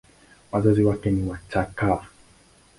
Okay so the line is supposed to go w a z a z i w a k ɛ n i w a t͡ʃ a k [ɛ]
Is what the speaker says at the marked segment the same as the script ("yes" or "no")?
no